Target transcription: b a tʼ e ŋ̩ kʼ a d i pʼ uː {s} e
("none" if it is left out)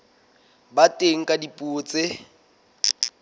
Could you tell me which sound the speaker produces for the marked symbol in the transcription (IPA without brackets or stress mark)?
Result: t͡s